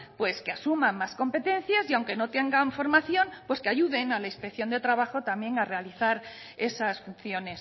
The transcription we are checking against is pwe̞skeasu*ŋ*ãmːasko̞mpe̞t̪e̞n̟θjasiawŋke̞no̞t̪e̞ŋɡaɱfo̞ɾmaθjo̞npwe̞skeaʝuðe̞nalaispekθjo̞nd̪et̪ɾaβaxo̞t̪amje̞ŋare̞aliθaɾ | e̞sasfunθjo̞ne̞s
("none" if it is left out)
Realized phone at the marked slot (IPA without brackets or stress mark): m